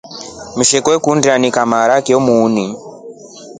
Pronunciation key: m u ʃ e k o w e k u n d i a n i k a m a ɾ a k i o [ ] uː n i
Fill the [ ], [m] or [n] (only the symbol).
m